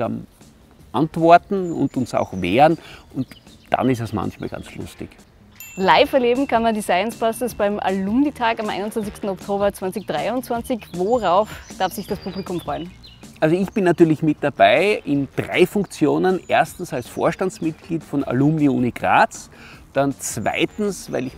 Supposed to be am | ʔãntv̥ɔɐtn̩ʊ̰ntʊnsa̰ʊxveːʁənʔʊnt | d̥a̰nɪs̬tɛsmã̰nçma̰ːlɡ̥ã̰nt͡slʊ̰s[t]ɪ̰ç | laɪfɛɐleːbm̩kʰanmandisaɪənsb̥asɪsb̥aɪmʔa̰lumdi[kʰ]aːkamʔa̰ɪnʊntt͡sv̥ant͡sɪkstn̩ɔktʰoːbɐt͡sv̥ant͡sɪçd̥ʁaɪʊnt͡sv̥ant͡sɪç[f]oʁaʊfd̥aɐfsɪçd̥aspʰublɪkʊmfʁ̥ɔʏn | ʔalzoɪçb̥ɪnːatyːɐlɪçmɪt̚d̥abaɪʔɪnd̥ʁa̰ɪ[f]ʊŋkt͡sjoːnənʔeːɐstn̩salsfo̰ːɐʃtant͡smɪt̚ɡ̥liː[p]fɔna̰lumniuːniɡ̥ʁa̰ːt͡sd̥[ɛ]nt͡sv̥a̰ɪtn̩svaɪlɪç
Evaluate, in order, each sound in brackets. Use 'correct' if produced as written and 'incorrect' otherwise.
correct, incorrect: tʰ, incorrect: v, correct, incorrect: t, incorrect: a

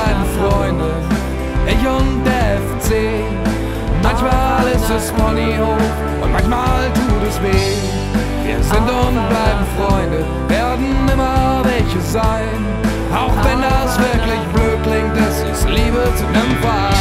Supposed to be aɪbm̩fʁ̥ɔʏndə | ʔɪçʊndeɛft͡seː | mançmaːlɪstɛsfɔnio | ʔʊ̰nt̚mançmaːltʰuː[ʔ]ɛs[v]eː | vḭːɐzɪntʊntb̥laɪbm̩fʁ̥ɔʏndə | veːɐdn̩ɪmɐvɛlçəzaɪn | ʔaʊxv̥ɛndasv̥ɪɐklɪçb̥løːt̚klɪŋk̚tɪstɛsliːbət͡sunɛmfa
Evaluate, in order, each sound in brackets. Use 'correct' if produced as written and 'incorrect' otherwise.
incorrect: t, correct

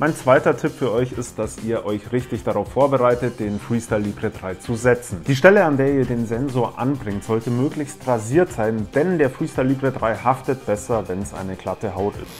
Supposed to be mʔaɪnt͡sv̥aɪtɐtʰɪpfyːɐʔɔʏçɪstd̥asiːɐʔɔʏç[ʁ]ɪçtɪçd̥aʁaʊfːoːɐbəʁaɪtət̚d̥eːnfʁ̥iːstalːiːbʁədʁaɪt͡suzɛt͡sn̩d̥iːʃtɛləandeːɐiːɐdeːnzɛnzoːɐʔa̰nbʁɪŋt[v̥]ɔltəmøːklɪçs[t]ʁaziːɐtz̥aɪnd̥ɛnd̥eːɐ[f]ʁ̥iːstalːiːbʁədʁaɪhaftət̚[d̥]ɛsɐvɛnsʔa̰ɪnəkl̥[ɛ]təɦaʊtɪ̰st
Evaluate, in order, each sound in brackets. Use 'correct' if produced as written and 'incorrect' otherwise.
correct, incorrect: z̥, correct, correct, incorrect: b̥, incorrect: a

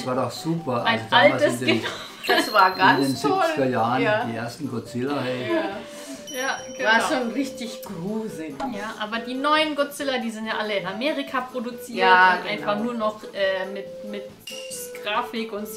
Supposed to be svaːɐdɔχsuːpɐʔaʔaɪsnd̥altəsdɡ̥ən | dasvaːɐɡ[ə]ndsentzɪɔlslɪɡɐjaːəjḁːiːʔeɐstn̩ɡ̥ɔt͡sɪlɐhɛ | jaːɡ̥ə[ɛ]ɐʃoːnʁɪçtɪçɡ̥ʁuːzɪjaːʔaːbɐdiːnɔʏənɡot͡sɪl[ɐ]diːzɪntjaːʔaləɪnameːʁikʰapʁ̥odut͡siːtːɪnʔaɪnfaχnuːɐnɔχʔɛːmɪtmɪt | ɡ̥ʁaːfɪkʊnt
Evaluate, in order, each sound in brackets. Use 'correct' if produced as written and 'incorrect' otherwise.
incorrect: a, incorrect: a, correct

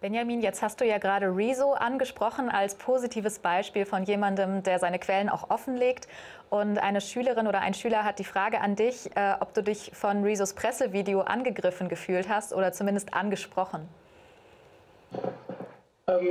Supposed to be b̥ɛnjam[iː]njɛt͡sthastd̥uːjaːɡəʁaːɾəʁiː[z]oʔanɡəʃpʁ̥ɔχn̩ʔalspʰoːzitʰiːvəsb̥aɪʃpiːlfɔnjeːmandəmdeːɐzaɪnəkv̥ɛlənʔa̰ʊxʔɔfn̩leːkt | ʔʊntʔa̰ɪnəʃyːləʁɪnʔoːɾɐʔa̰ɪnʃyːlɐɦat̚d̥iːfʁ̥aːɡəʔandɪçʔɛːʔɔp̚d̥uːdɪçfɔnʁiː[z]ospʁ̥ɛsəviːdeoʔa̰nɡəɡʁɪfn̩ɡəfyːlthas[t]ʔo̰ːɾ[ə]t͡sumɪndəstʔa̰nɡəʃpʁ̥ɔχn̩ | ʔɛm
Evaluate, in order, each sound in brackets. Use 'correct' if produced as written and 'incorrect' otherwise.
correct, correct, correct, correct, incorrect: ɐ

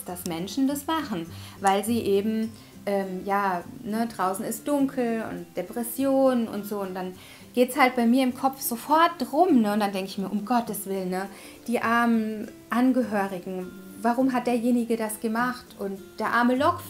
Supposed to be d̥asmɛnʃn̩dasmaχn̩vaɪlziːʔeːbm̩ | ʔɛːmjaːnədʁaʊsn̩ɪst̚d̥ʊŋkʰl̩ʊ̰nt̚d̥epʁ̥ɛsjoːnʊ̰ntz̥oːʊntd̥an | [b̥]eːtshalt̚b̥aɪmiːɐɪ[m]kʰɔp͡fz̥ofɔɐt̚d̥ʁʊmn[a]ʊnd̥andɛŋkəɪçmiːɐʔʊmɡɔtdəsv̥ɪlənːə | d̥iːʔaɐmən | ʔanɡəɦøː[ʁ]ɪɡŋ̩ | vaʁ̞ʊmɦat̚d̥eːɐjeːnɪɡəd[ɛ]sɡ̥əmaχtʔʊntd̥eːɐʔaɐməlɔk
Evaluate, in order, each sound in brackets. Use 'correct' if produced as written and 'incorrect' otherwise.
incorrect: ɡ̥, correct, incorrect: ə, correct, incorrect: a

